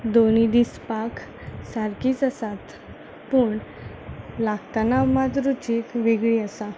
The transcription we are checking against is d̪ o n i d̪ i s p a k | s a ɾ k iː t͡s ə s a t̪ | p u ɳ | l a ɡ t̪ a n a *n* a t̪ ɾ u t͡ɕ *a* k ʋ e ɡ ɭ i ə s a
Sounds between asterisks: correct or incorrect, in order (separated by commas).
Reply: incorrect, incorrect